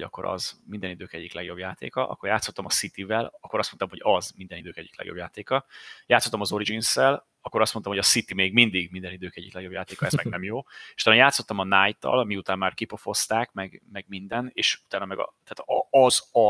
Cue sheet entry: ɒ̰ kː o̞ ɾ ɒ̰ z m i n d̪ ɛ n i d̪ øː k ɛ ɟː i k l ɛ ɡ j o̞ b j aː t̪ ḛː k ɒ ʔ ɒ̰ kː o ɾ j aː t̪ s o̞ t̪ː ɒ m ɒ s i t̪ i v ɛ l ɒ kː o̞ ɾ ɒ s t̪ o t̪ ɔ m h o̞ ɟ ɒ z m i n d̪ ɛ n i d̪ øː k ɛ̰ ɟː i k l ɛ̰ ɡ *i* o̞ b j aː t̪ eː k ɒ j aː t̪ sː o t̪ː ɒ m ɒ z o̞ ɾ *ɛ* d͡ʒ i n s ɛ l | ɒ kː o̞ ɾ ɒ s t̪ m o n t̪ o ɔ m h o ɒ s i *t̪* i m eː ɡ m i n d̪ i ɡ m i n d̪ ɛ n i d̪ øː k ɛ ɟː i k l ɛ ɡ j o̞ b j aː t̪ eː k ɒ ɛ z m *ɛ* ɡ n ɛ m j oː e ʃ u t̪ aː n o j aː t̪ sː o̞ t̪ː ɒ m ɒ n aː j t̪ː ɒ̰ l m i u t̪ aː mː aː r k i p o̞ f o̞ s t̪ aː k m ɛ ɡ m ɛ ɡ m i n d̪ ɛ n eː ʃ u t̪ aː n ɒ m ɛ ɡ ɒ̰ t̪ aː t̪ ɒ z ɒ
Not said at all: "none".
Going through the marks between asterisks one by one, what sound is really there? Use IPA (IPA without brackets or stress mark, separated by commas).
j, i, t̪, ɛ